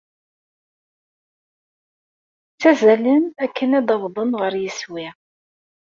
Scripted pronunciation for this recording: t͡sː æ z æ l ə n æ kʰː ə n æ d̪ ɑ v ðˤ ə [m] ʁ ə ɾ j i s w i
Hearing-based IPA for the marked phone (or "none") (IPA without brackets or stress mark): n